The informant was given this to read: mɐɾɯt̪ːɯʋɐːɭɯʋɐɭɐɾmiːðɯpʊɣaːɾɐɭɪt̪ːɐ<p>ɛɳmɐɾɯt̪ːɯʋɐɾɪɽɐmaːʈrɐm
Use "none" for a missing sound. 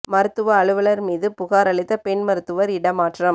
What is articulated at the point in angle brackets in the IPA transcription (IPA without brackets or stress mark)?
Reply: p